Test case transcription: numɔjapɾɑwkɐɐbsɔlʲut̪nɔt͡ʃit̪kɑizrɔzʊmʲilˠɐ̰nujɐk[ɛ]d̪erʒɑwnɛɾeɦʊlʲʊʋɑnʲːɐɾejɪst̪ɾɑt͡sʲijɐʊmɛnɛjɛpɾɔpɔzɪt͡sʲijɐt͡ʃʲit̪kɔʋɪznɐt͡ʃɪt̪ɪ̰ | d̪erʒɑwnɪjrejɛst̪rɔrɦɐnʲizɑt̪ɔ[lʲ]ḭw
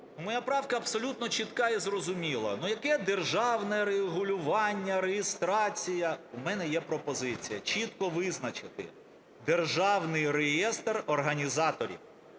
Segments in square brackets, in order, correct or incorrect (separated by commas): correct, incorrect